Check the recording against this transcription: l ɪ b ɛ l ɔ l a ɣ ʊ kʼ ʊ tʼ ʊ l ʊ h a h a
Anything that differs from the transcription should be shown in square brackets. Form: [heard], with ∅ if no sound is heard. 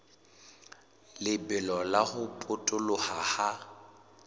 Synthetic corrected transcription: l ɪ b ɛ l ɔ l a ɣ ʊ [pʼ] ʊ tʼ ʊ l ʊ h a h a